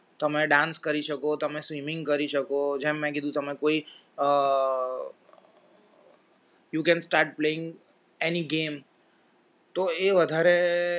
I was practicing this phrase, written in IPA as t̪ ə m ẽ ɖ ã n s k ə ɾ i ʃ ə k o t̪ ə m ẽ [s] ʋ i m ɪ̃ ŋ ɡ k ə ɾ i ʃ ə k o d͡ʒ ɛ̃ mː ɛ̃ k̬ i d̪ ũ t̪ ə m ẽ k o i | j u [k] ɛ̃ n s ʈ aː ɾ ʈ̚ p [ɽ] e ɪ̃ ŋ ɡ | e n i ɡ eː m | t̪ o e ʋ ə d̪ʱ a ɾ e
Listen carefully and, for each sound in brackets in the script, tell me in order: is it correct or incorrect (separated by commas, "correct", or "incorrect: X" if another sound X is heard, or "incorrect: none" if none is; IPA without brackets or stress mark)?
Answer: correct, correct, incorrect: l